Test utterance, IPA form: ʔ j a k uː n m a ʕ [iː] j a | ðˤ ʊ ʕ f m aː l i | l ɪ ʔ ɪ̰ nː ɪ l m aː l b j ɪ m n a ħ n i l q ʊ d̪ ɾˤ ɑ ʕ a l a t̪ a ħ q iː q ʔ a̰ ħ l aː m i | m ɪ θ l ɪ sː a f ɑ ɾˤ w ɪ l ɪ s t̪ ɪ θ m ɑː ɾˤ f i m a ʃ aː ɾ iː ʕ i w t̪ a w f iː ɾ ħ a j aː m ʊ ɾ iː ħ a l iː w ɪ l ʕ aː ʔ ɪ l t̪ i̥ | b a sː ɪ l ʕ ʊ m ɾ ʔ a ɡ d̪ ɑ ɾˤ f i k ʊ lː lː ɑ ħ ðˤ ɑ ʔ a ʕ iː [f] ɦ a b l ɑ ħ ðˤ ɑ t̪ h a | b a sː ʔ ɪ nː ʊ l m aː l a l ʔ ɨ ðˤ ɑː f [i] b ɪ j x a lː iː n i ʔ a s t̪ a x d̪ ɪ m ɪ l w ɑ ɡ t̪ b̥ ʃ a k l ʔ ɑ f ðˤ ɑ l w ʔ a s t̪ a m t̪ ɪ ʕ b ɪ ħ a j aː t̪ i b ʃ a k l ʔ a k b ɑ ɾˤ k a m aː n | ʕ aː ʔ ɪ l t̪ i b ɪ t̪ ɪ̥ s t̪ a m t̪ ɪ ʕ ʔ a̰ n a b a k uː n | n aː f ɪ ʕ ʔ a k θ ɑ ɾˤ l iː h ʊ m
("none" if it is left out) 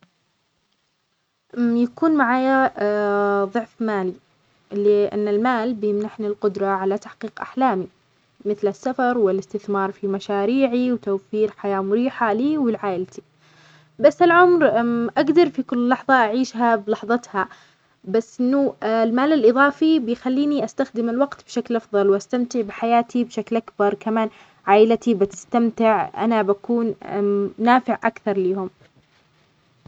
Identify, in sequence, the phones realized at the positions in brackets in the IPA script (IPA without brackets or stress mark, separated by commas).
aː, ʃ, i